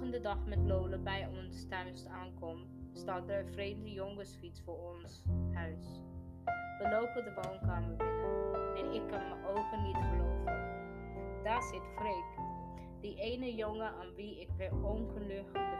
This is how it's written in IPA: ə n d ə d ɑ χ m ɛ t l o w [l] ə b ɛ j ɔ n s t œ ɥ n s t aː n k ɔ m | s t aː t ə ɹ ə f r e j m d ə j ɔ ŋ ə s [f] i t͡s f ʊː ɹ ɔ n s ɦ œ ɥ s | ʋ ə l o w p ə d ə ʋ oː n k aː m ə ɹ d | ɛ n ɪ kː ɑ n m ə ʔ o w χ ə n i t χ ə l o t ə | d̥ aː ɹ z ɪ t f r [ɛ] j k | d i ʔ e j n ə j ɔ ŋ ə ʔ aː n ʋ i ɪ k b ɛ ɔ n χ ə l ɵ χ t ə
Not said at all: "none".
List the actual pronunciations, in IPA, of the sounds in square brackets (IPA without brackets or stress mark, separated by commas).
l, f, e